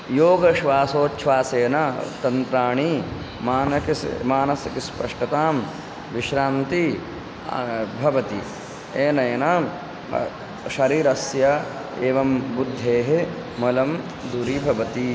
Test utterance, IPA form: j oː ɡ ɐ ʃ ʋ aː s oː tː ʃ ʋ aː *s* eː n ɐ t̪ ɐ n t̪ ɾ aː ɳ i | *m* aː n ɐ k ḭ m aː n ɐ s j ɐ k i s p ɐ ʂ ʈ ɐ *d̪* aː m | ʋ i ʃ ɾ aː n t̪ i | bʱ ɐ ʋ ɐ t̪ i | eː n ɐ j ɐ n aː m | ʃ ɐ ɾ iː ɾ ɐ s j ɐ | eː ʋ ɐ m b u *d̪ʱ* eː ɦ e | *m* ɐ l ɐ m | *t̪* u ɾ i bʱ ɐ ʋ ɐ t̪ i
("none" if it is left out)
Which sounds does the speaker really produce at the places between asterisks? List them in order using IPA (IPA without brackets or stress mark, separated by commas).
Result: s, m, t̪, d̪ʱː, m, d̪